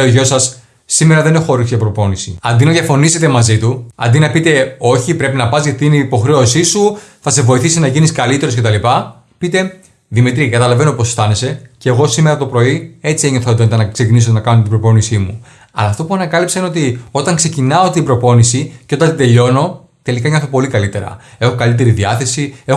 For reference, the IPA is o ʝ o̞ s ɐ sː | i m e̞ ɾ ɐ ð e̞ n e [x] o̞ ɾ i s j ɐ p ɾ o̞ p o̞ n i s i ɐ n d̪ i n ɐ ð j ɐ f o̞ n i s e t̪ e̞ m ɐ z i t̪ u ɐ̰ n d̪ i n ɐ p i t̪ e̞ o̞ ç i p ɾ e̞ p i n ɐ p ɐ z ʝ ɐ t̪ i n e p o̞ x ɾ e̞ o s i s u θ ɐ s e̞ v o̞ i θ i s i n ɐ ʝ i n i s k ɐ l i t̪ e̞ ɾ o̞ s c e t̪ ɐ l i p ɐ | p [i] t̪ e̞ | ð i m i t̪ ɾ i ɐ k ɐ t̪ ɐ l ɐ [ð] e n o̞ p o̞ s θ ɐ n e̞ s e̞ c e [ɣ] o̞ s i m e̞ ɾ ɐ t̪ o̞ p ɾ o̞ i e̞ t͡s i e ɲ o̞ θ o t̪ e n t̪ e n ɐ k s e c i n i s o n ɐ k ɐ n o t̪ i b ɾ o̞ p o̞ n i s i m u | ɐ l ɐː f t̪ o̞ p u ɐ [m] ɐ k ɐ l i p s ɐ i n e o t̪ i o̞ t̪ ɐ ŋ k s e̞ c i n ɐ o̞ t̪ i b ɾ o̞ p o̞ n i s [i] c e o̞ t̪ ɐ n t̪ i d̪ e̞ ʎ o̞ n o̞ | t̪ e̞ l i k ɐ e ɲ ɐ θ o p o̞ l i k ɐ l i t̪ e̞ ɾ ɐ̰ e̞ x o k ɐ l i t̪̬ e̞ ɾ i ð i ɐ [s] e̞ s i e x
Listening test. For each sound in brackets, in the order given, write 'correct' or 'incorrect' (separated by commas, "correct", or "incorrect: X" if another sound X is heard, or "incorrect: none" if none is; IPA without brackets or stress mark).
correct, correct, incorrect: v, correct, incorrect: n, correct, incorrect: θ